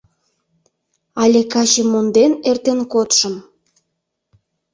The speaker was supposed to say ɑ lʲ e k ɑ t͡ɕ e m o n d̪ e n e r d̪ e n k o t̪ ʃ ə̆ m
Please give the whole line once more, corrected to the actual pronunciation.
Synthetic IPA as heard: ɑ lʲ e k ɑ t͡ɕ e m o n d̪ e n e r t̪ e n k o t̪ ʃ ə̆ m

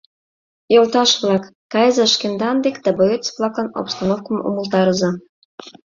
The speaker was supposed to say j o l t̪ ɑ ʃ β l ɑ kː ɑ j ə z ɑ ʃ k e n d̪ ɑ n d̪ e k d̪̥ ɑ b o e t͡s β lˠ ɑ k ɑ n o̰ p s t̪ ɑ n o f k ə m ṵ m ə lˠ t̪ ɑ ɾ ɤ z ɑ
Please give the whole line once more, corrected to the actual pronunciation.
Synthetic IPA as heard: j o l t̪ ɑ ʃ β l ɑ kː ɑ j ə z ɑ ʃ k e n d̪ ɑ n d̪ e k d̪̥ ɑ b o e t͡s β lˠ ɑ k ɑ n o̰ p s t̪ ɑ n o f k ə m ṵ m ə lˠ t̪ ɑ ɾ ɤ z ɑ

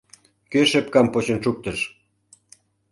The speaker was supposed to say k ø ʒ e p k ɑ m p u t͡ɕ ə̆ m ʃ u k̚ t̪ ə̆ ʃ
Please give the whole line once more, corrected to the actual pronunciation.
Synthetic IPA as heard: k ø ʃ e p k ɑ m p o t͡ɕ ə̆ n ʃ u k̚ t̪ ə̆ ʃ

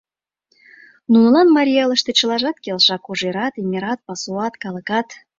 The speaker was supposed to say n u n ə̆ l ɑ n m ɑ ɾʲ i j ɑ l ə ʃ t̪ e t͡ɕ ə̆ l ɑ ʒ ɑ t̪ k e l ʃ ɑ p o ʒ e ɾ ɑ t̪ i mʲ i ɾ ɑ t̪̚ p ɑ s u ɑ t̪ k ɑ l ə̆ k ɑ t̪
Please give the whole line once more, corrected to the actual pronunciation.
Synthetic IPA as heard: n u n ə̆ l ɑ n m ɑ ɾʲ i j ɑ l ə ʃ t̪ e t͡ɕ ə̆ l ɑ ʒ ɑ t̪ k e l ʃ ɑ k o ʒ e ɾ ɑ t̪ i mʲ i ɾ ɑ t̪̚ p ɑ s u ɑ t̪ k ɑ l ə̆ k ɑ t̪

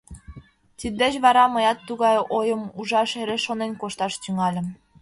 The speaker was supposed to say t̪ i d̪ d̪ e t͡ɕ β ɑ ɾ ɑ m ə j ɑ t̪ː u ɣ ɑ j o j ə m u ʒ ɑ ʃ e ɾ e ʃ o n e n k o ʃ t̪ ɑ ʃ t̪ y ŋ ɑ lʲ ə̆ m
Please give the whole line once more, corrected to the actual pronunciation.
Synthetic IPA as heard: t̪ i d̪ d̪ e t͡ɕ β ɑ ɾ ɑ m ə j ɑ t̪ː u ɣ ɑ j o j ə m u ʒ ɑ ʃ e ɾ e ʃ o n e n k o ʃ t̪ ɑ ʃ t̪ y ŋ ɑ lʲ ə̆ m

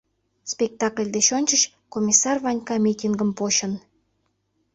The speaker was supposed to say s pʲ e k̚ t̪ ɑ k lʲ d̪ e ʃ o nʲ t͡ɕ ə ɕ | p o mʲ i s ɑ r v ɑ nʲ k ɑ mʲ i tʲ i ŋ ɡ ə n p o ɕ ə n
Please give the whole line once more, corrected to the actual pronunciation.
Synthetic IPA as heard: s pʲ e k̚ t̪ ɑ k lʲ d̪ e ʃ o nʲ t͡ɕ ə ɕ | k o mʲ i s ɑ r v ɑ nʲ k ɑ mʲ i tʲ i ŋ ɡ ə m p o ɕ ə n

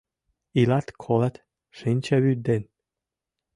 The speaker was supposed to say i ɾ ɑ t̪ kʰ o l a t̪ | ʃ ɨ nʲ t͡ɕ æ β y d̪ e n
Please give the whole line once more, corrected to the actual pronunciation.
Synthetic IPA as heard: i l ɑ t̪ kʰ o l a t̪ | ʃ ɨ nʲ t͡ɕ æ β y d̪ e n

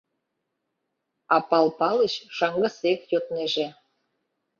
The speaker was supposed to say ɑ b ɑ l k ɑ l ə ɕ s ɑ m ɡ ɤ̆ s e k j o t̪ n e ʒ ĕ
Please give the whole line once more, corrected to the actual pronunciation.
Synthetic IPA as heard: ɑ p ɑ l p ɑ l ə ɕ ʃ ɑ ŋ ɡ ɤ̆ s e k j o t̪ n e ʒ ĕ

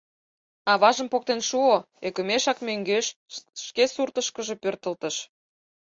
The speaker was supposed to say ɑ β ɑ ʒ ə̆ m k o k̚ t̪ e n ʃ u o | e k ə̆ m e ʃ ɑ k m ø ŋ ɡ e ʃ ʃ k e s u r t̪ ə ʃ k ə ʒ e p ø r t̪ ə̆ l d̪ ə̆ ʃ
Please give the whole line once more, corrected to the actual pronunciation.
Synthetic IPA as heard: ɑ β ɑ ʒ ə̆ m p o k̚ t̪ e n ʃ u o | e k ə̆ m e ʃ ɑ k m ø ŋ ɡ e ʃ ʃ k e s u r t̪ ə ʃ k ə ʒ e p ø r t̪ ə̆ l t̪ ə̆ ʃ

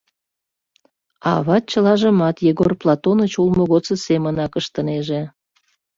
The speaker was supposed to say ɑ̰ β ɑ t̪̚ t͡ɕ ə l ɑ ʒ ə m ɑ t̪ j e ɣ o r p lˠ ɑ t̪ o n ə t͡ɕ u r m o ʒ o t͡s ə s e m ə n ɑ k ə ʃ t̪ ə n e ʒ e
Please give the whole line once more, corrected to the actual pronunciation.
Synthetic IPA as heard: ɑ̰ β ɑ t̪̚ t͡ɕ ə l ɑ ʒ ə m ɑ t̪ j e ɣ o r p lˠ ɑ t̪ o n ə t͡ɕ u l m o ɣ o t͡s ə s e m ə n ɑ k ə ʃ t̪ ə n e ʒ e

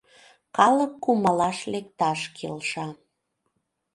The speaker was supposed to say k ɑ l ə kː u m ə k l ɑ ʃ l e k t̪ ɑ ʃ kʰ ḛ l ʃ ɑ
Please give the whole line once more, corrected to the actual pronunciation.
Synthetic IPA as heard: k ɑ l ə kː u m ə l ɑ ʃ l e k t̪ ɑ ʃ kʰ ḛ l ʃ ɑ

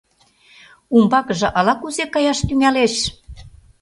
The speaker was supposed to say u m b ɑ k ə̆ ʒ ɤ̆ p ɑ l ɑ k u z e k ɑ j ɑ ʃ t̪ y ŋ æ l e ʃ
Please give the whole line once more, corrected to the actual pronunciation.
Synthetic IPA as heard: u m b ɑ k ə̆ ʒ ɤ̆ ʔ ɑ l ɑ k u z e k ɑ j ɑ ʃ t̪ y ŋ æ l e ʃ

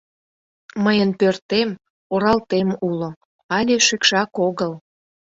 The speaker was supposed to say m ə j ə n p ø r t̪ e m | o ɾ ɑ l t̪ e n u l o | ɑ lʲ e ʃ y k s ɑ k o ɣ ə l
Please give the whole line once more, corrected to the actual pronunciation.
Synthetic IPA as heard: m ə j ə n p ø r t̪ e m | o ɾ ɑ l t̪ e m u l o | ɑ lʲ e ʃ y k ʃ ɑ k o ɣ ə l

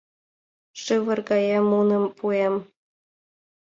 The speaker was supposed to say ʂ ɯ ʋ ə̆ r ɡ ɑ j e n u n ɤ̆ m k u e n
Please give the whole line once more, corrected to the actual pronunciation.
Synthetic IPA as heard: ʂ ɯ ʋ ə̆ r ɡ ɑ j e m u n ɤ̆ m p u e m

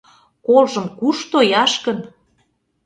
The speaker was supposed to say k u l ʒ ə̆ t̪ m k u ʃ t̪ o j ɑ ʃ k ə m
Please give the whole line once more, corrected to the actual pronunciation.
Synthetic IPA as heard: k o l ʒ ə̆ m k u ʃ t̪ o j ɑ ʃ k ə n

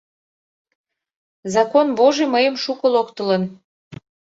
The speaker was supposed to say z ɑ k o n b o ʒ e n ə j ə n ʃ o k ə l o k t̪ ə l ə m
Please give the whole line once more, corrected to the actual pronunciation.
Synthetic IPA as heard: z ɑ k o n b o ʒ e m ə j ə m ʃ u k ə l o k t̪ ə l ə n

